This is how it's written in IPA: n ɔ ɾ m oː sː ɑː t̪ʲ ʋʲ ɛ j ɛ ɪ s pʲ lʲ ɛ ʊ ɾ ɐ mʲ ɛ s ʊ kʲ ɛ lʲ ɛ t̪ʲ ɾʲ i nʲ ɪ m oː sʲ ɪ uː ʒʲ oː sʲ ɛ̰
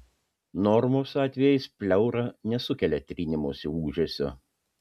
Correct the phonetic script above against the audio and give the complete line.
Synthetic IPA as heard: n ɔ ɾ m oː s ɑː t̪ʲ ʋʲ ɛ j ɛ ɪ s pʲ lʲ ɛ ʊ ɾ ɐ nʲ ɛ s ʊ kʲ ɛ lʲ ɛ t̪ʲ ɾʲ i nʲ ɪ m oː sʲ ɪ uː ʒʲ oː sʲ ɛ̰